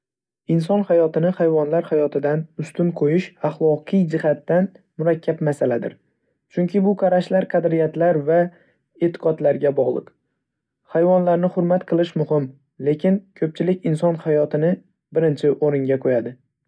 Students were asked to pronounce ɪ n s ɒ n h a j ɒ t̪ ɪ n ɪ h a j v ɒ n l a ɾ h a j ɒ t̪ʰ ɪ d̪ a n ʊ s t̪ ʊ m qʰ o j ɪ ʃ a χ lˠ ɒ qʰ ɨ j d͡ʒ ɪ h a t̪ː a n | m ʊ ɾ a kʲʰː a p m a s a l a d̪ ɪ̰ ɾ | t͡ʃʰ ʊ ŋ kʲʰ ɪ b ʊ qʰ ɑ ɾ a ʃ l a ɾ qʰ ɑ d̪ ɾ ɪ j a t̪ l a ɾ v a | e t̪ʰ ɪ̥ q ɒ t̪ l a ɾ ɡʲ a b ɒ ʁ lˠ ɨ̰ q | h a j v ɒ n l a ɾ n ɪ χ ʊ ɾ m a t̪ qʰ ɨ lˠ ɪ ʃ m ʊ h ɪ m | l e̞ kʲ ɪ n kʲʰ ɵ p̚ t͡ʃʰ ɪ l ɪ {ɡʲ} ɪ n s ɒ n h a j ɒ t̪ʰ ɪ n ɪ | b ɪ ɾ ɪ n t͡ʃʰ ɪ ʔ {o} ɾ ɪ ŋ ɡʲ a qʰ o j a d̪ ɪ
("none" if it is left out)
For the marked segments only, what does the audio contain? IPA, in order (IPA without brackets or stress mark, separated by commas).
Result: kʲ, o